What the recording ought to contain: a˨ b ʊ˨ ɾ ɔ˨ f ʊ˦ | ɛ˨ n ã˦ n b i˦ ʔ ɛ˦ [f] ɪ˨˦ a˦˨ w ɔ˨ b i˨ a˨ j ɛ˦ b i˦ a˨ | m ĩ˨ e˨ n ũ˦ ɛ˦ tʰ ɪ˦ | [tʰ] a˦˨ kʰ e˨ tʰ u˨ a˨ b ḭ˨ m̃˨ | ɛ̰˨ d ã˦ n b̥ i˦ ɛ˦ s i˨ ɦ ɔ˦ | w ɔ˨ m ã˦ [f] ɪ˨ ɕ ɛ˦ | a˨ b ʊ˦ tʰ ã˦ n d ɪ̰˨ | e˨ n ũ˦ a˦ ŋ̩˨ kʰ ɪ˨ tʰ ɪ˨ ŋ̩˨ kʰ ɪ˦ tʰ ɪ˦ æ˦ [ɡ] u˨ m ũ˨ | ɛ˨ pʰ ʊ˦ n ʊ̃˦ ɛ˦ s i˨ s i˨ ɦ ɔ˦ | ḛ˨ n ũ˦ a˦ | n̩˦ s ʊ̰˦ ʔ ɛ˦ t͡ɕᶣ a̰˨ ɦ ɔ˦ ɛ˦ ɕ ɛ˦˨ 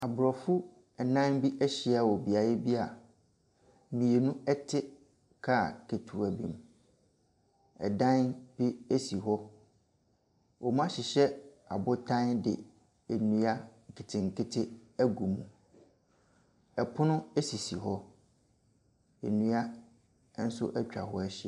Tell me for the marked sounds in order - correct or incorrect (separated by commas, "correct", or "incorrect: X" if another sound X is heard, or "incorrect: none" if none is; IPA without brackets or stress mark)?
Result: incorrect: ɕ, incorrect: kʰ, incorrect: ɕ, correct